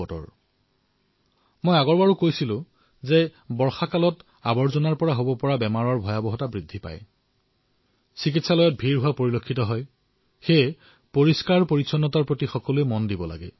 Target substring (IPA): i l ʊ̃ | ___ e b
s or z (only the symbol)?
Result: z